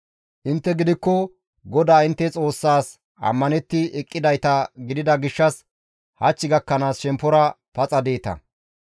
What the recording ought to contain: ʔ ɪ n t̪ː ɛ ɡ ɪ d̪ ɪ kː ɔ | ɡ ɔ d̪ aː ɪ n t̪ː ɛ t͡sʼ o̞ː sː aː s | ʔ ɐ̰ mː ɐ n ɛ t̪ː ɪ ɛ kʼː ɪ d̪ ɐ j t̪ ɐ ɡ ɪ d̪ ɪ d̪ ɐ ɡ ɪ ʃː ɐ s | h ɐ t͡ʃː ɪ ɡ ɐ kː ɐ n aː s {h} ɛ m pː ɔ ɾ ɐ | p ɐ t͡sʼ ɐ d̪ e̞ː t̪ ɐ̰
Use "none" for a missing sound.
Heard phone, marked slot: ʃ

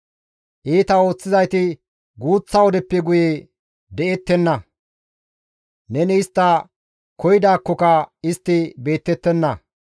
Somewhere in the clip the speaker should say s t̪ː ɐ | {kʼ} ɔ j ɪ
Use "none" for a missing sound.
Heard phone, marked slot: k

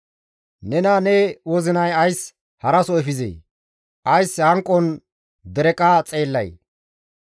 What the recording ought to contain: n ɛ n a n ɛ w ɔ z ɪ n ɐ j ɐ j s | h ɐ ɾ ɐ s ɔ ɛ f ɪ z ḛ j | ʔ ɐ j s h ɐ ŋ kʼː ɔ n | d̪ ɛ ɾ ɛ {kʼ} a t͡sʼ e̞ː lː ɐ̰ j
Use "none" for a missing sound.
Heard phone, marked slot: kʼ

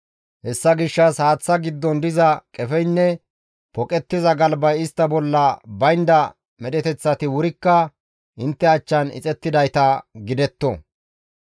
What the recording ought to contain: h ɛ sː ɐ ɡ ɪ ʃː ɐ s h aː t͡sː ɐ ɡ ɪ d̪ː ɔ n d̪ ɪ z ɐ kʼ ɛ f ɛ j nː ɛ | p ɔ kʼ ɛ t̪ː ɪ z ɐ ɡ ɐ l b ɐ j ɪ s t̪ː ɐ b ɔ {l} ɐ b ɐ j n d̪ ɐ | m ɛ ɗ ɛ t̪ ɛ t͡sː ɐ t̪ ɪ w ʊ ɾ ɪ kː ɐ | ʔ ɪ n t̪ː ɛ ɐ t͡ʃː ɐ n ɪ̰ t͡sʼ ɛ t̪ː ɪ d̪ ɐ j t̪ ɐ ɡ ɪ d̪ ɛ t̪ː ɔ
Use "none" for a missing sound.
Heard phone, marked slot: lː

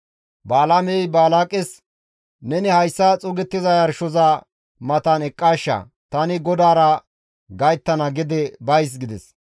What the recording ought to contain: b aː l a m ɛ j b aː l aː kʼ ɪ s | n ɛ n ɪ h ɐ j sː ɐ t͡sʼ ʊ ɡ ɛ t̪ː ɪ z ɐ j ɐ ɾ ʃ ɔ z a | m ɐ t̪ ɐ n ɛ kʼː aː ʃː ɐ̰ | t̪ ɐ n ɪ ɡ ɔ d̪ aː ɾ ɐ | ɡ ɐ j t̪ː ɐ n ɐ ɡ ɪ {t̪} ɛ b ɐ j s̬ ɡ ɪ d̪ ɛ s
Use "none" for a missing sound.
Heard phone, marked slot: d̪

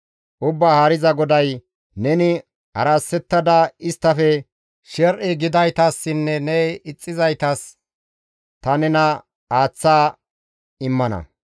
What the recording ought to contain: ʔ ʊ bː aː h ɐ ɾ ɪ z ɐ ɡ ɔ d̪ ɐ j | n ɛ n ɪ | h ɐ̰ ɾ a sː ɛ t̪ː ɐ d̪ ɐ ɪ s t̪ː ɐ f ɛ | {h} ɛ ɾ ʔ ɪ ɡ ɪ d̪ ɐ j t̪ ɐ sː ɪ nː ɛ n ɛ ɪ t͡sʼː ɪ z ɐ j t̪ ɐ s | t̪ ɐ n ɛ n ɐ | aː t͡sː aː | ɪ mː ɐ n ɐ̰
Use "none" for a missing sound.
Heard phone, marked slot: ʃ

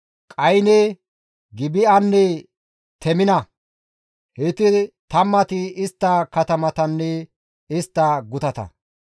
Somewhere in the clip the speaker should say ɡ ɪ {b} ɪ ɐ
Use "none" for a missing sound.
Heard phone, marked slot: b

